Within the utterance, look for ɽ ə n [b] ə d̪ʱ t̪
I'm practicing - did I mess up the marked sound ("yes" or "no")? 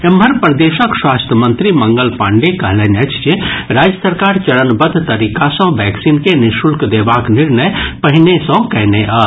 no